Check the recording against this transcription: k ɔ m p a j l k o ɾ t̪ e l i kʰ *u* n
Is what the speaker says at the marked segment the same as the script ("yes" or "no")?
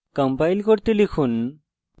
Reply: yes